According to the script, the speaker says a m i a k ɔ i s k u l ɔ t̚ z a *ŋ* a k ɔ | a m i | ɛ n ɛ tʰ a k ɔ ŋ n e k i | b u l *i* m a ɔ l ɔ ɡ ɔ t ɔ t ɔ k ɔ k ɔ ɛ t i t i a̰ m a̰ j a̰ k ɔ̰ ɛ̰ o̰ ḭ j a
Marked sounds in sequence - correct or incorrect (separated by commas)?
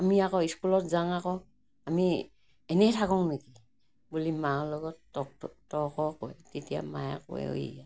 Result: correct, correct